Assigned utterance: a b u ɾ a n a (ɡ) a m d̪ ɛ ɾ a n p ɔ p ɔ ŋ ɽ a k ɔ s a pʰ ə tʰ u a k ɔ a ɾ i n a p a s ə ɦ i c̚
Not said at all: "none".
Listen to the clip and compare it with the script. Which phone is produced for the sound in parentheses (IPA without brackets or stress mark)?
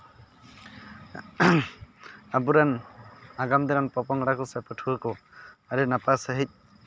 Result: ɡ